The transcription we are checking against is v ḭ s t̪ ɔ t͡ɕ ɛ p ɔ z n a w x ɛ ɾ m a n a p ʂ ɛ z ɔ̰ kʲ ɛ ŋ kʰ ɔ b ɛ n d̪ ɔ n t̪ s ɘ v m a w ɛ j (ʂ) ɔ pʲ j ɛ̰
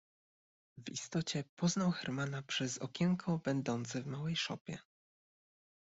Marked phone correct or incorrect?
correct